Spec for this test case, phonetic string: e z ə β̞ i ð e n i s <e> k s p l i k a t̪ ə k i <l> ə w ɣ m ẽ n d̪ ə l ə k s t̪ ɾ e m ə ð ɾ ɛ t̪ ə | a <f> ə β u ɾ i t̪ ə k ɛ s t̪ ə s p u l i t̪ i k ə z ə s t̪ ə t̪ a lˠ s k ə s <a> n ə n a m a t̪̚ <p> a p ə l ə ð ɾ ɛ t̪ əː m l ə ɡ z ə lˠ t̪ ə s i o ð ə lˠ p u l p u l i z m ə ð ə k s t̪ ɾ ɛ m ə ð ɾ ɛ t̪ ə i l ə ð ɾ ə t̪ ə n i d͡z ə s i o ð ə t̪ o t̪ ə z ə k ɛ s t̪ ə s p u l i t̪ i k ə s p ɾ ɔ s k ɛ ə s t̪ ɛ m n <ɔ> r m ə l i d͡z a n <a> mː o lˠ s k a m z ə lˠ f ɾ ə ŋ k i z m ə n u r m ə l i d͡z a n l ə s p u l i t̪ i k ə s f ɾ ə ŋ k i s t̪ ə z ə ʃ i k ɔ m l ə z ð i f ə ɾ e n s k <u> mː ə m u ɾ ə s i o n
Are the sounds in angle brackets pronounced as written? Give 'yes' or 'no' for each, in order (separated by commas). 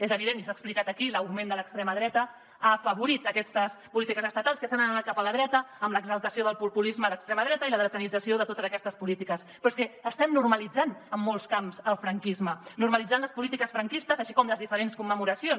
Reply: no, yes, yes, yes, no, no, no, yes